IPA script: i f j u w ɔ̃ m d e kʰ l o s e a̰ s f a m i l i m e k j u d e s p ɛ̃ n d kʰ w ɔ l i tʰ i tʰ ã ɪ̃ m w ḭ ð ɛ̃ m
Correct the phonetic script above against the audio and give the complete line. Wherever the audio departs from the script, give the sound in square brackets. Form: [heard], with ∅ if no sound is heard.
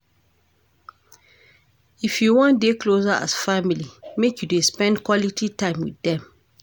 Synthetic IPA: i f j u w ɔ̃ [n] d e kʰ l o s [a] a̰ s f a m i l i m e k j u d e s p ɛ̃ n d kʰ w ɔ l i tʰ i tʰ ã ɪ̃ m w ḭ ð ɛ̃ m